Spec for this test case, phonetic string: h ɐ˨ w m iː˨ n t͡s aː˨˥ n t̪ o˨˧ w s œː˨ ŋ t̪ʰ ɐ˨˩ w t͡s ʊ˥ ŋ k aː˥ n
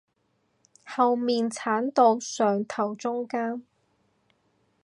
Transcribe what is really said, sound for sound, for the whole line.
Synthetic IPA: h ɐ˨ w m iː˨ n t͡sʰ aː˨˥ n t̪ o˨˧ w s œː˨ ŋ t̪ʰ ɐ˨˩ w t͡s ʊ˥ ŋ k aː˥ n